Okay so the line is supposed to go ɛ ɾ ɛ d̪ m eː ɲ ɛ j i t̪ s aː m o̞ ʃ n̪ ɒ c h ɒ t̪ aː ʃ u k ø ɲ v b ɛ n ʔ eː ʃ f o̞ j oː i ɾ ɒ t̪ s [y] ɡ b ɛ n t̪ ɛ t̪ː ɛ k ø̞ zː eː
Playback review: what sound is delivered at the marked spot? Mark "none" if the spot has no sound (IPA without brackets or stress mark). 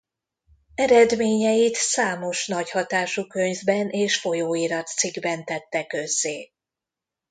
i